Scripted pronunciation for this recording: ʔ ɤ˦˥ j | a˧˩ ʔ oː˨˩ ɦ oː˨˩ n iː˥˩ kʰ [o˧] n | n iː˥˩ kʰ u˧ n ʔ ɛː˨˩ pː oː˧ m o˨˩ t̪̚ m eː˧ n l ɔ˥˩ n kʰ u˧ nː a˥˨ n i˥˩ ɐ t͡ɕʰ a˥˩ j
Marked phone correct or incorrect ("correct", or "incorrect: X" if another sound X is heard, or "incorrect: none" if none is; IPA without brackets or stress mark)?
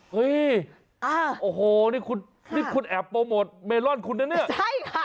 incorrect: u˧